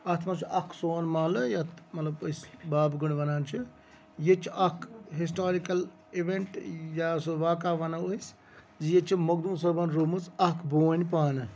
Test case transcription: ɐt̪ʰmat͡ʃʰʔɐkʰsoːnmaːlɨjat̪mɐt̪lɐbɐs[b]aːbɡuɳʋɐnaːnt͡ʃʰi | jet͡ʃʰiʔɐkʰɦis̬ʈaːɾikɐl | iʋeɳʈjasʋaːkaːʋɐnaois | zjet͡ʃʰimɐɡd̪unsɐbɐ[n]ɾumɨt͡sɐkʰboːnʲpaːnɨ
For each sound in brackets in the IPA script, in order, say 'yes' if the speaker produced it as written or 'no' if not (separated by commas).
yes, yes